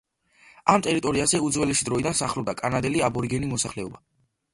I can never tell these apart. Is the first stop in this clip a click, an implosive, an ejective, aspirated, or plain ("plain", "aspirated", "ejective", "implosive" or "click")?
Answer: ejective